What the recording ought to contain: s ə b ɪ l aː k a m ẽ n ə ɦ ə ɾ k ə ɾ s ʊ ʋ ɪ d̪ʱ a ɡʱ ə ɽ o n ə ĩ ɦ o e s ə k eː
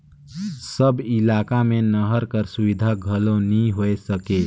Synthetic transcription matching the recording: s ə b ɪ l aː k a m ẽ n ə ɦ ə ɾ k ə ɾ s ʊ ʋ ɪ d̪ʱ a ɡʱ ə l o n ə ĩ ɦ o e s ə k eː